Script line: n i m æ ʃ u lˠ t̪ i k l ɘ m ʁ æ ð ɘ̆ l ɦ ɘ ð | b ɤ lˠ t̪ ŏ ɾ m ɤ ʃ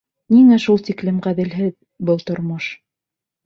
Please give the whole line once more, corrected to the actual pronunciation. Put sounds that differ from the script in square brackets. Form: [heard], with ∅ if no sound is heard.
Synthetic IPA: n i [ŋ] æ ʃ u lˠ t̪ i k l ɘ m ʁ æ ð ɘ̆ l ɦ ɘ ð | b ɤ lˠ t̪ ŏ ɾ m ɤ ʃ